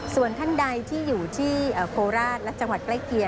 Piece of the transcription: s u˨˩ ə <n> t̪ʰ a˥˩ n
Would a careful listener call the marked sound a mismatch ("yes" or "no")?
no